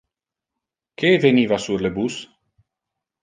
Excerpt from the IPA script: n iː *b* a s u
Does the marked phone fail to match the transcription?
yes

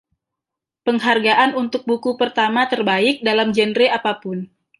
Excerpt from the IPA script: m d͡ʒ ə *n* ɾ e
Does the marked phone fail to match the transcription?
no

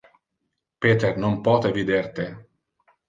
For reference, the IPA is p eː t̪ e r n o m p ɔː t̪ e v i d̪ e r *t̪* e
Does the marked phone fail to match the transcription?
no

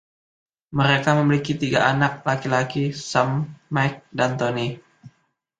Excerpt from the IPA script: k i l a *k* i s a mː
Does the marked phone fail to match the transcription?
no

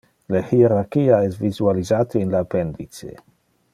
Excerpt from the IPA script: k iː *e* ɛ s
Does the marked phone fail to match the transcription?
yes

